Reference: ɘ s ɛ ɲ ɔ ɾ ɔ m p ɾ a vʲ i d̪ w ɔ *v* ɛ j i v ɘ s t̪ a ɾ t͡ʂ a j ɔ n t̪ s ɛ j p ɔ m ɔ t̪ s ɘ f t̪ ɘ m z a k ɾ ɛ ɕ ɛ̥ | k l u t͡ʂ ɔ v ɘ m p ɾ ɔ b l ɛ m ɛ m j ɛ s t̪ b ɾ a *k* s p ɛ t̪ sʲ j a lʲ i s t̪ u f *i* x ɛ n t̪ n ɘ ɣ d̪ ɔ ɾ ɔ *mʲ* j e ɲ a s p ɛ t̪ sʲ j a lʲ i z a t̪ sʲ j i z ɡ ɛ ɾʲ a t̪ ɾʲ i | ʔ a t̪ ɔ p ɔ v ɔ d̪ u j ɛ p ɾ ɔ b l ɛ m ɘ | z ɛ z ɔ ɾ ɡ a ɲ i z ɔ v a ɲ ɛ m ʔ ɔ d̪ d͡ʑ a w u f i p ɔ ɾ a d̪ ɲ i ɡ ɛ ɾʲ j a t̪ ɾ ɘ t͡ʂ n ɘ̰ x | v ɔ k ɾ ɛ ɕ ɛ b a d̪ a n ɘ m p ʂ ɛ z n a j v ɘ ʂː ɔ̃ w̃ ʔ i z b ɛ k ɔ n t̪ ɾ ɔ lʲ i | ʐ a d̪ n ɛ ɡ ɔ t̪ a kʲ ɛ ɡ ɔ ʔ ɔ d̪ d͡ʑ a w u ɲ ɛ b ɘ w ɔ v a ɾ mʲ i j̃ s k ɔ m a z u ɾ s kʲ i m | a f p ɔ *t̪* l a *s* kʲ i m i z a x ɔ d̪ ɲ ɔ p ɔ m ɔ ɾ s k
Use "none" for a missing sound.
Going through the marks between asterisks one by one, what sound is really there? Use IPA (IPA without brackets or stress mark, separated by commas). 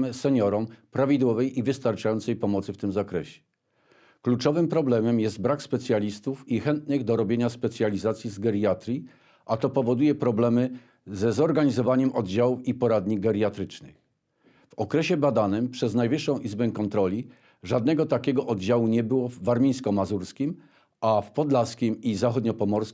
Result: v, k, i, bʲ, d̪, s